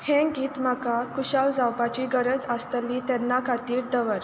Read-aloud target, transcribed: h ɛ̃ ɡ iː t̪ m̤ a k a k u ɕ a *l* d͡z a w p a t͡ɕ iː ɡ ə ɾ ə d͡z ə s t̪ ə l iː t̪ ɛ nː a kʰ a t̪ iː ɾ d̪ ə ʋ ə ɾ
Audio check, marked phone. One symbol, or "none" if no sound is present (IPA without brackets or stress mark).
l